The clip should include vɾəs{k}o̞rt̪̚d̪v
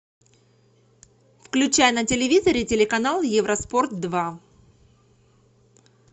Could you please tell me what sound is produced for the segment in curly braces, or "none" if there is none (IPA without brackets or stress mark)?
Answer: p